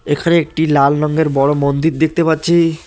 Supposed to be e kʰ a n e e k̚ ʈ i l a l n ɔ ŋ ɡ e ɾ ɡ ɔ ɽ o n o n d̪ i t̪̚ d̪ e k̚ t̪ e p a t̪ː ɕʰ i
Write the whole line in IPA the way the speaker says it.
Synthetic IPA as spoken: e kʰ a n e e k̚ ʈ i l a l n ɔ ŋ ɡ e ɾ b ɔ ɽ o m o n d̪ i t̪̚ d̪ e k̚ t̪ e p a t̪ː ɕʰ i